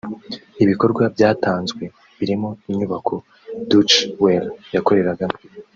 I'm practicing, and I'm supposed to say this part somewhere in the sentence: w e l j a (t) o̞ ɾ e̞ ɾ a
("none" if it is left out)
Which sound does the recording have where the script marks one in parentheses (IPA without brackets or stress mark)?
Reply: k